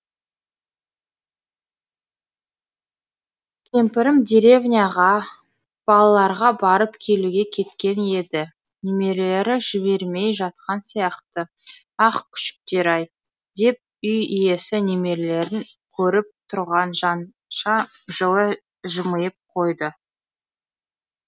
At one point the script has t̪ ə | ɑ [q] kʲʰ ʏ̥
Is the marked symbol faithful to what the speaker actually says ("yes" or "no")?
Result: yes